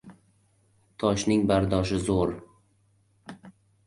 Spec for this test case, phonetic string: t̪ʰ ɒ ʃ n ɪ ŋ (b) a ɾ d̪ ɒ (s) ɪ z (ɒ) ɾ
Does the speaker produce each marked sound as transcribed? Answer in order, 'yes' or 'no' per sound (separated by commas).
yes, no, no